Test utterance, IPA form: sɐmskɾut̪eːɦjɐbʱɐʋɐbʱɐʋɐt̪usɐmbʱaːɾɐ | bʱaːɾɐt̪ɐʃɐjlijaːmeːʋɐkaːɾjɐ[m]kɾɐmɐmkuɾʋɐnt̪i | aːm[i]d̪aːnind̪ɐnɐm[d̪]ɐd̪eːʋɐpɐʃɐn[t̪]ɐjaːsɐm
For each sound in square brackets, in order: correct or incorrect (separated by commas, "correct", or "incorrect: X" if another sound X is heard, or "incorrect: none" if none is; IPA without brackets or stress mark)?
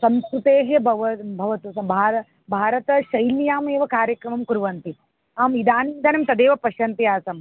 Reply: incorrect: none, correct, incorrect: t̪, correct